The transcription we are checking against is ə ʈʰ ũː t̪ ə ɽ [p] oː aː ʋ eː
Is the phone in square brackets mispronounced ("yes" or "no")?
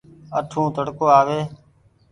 yes